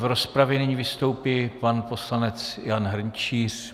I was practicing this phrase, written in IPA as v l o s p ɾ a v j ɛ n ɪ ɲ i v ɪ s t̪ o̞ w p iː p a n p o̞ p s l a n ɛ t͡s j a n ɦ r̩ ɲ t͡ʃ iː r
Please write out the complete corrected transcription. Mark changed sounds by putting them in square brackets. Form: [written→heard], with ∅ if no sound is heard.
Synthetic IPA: v [l→ɾ] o s p ɾ a v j ɛ n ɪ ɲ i v ɪ s t̪ o̞ w p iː p a n p o̞ [p→∅] s l a n ɛ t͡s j a n ɦ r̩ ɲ t͡ʃ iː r